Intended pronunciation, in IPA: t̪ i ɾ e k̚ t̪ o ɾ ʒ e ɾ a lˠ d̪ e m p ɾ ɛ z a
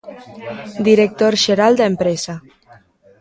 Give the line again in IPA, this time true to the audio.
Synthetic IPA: d̪ i ɾ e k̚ t̪ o ɾ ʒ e ɾ a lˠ d̪ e m p ɾ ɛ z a